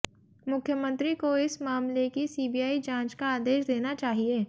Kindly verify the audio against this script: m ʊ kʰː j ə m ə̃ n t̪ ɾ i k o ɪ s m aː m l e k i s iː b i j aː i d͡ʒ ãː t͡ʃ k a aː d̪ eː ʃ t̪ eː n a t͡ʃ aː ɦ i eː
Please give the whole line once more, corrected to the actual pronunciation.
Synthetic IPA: m ʊ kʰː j ə m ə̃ n t̪ ɾ i k o ɪ s m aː m l e k i s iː b i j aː i d͡ʒ ãː t͡ʃ k a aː d̪ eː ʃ d̪ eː n a t͡ʃ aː ɦ i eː